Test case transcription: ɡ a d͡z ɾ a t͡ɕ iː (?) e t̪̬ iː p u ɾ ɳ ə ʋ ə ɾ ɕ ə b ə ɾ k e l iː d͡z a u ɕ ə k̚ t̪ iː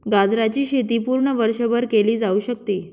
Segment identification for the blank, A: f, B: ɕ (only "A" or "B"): B